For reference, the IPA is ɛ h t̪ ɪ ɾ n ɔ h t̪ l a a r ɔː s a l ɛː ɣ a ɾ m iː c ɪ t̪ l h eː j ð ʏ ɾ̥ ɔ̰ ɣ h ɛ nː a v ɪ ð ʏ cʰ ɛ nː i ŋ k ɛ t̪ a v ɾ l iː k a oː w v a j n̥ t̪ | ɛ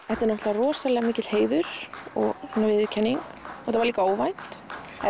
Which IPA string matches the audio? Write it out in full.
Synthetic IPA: ɛ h t̪ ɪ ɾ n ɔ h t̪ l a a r ɔː s a l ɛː ɣ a m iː c ɪ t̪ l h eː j ð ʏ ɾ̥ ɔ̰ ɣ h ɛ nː a v ɪ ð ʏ cʰ ɛ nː i ŋ k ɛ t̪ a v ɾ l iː k a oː w v a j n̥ t̪ | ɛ

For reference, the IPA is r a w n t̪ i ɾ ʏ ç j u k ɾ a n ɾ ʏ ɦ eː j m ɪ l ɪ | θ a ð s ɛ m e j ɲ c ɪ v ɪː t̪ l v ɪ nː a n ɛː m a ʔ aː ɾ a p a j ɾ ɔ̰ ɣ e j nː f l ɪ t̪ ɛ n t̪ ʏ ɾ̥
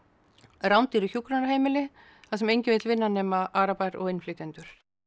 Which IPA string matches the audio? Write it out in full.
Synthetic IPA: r a w n t̪ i ɾ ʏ ç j u k ɾ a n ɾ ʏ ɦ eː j m ɪ l ɪ | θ a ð s ɛ m e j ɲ c ɪ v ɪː t̪ l v ɪ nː a n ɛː m a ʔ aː ɾ a p a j ɾ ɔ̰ ɣ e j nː f l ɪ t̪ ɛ n t̪ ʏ ɾ̥

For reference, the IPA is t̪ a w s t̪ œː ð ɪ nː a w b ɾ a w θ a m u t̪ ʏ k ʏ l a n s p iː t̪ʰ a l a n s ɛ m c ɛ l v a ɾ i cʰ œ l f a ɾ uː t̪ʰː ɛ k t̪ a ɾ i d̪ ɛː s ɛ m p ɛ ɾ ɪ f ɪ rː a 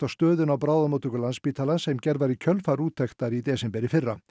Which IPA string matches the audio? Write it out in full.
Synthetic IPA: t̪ a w s t̪ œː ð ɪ n a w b ɾ a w ð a m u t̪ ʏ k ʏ l a n s p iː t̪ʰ a l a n s ɛ m c ɛ ɾ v a ɾ i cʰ œ l f a ɾ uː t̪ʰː ɛ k t̪ a ɾ i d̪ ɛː s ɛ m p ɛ ɾ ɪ f ɪ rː a

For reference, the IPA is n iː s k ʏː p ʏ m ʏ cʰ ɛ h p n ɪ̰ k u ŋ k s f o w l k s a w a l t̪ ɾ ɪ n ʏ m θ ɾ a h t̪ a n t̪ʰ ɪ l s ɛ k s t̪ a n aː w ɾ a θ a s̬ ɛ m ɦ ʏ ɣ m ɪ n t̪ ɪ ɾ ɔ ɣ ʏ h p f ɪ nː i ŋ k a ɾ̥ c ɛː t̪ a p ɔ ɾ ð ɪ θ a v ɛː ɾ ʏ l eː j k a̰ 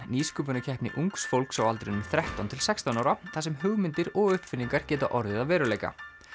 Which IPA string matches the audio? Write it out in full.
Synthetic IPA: n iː s k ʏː p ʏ n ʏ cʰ ɛ h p n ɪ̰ ʔ u ŋ k s f o w l k s a w a l t̪ ɾ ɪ n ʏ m θ ɾ ɛ h t̪ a n t̪ʰ ɪ l s ɛ k s t̪ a n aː w ɾ a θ a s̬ ɛ m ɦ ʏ ɣ m ɪ n t̪ ɪ ɾ ɔ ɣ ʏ h p f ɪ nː i ŋ k a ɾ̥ c ɛː t̪ a ʔ ɔ ɾ ð ɪ ð a v ɛː ɾ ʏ l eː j k a̰

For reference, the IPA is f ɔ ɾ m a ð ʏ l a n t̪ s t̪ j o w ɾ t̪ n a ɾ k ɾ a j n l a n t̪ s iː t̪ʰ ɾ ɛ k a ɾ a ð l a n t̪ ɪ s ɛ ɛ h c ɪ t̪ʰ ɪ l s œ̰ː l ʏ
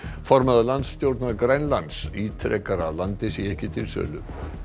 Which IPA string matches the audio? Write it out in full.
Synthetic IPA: f ɔ ɾ m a ð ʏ l a n t̪ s t̪ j o w ɾ t̪ n a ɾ k ɾ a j n l a n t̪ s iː t̪ʰ ɾ ɛ k a ɾ a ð l a n t̪ ɪ s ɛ ɛ h c ɪ t̪ʰ ɪ l s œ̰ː l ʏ

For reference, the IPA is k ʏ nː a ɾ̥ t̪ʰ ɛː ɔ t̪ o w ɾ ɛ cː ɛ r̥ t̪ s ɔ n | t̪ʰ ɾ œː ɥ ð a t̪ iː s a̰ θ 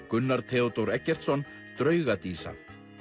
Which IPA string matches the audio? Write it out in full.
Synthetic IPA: k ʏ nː a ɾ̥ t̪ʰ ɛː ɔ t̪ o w ɾ ɛ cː ɛ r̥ t̪ s ɔ n | t̪ ɾ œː ɥ ɣ a t̪ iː s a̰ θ

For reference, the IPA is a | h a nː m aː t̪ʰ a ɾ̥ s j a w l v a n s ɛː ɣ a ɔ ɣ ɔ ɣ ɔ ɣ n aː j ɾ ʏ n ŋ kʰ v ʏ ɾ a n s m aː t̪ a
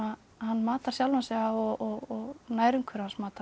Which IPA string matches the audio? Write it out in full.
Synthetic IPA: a | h a nː m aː t̪ a ɾ̥ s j a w l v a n s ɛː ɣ a ɔ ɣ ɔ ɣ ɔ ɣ n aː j ɾ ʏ ŋ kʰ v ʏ ɾ a n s m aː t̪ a

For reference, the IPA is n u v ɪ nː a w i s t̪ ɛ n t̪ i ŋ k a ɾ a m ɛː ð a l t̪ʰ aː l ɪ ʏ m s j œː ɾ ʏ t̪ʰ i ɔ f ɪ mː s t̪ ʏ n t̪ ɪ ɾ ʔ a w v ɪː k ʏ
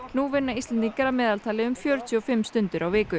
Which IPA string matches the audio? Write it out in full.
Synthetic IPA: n u v ɪ nː a i s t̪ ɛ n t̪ i ŋ k a ɾ a m ɛː ð a l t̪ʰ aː l ɪ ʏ m f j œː ɾ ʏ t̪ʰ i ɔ f ɪ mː s t̪ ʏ n t̪ ɪ ɾ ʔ a w v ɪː k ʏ

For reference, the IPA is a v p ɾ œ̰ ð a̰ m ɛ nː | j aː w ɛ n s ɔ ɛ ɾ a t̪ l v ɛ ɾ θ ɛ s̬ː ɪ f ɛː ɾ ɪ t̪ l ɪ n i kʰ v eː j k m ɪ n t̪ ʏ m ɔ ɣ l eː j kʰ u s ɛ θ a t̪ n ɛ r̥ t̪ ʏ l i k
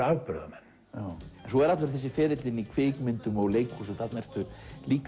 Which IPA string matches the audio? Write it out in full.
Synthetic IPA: a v p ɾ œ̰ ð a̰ m ɛ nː | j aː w ɛ n s ɔ ɛ ɾ a t̪ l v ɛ ɾ θ ɛ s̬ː ɪ f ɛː ɾ ɪ t̪ l ɪ n i kʰ v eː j k m ɪ n t̪ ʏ m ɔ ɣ l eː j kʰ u s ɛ θ a t̪ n ɛ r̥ t̪ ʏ l iː k

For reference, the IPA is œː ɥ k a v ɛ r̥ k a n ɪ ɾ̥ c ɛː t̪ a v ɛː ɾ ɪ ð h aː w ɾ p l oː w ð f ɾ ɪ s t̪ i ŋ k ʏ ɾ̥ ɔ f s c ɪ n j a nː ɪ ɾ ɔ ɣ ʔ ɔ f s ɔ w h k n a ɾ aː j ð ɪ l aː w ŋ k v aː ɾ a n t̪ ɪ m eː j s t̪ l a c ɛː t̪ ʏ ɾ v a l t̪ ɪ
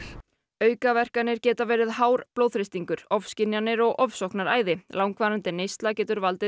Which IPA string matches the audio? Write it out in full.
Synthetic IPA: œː ɥ k a v ɛ r̥ k a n ɪ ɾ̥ c ɛː t̪ a v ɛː ɾ ɪ ð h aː w ɾ p l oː w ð f ɾ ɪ s t̪ i ŋ k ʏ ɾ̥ ɔ f s c ɪ n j a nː ɪ ɾ ɔ ɣ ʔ ɔ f s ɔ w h k n a ɾ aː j ð ɪ l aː w ŋ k v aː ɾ a n t̪ ɪ n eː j s t̪ l a c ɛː t̪ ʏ ɾ v a l t̪ ɪ

